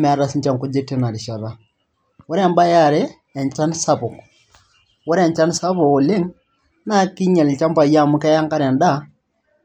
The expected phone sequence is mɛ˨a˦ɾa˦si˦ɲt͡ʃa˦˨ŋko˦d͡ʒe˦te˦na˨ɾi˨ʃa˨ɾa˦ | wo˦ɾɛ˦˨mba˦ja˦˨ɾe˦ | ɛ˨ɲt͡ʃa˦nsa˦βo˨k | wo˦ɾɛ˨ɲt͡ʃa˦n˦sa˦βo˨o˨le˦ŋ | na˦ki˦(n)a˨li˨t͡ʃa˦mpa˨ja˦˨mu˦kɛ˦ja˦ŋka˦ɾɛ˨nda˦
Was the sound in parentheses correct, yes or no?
no